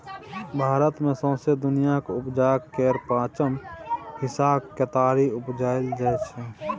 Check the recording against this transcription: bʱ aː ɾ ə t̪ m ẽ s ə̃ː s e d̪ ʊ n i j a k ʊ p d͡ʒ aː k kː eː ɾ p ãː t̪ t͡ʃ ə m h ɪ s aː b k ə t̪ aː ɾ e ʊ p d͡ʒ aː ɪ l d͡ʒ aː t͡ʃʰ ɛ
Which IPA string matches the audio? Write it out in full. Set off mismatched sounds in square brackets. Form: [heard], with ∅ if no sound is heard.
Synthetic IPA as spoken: bʱ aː ɾ ə t̪ m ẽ s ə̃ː s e d̪ ʊ n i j a k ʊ p d͡ʒ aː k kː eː ɾ p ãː [∅] t͡ʃ ə m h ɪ s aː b k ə t̪ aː ɾ [i] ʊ p d͡ʒ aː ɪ l d͡ʒ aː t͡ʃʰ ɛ